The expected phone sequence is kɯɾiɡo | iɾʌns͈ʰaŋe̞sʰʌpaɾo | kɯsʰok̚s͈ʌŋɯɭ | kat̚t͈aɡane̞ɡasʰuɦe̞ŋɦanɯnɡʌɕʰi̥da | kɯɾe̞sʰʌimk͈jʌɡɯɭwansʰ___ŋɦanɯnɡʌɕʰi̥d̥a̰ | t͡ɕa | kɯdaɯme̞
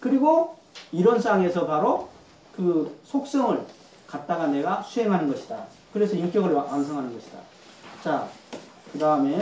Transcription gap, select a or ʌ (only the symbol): ʌ